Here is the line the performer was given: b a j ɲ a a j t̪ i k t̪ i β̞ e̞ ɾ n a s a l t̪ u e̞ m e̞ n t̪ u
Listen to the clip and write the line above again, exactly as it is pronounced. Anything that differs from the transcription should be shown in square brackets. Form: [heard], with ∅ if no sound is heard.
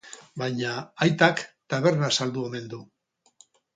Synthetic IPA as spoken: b a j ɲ a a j t̪ [a] k t̪ [a] β̞ e̞ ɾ n a s a l [d̪] u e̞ m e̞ n [d̪] u